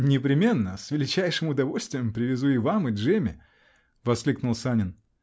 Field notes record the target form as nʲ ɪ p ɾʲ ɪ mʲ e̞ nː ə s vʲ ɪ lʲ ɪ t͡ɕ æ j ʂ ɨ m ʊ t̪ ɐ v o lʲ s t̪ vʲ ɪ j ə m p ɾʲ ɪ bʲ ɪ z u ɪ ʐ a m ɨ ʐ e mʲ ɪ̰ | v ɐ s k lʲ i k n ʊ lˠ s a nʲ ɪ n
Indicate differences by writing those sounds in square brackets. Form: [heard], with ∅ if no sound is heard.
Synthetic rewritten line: nʲ ɪ p ɾʲ ɪ mʲ e̞ nː ə s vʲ ɪ lʲ ɪ t͡ɕ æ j ʂ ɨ m ʊ [d̪] ɐ v o lʲ s t̪ vʲ ɪ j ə m p ɾʲ ɪ [vʲ] ɪ z u ɪ [v] a m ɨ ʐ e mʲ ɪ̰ | v ɐ s k lʲ i k n ʊ lˠ s a nʲ ɪ n